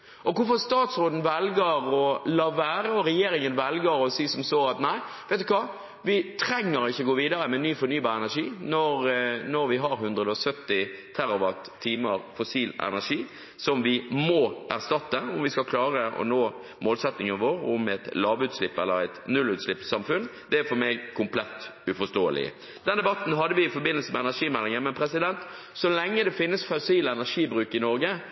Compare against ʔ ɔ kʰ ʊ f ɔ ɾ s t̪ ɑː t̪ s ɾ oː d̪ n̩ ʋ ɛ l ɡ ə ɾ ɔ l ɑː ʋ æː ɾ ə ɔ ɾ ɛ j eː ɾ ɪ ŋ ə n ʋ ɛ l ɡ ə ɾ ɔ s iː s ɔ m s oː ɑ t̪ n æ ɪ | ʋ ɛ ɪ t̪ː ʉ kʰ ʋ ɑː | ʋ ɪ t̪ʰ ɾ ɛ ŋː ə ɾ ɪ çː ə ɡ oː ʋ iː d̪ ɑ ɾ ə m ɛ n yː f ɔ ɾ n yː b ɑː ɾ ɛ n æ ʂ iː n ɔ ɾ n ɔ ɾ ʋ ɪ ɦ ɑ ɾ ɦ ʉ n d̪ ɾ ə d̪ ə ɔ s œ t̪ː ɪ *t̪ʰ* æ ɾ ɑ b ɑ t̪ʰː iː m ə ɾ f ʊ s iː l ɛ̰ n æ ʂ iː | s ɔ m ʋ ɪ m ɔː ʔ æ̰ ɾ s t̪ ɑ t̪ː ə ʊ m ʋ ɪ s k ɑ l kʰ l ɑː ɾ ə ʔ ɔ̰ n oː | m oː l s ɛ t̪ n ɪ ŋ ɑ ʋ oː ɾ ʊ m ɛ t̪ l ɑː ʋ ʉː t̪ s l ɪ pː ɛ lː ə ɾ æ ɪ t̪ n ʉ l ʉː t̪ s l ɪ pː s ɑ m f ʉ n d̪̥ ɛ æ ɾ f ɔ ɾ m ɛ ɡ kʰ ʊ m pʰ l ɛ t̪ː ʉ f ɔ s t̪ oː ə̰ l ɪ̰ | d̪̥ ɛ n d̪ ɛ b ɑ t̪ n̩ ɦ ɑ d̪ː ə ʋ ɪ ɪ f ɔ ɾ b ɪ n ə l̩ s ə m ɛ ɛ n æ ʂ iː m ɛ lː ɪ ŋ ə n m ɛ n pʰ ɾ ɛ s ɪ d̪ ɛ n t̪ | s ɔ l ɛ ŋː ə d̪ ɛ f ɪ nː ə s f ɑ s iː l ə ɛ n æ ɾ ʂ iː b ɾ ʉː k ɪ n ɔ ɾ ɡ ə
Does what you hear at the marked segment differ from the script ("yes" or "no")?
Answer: no